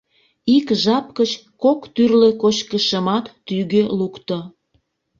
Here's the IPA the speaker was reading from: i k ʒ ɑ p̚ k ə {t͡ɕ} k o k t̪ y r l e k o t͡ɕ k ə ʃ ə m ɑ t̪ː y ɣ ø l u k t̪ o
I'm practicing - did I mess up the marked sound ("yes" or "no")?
no